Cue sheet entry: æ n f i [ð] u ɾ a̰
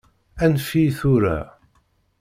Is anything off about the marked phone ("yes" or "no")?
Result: yes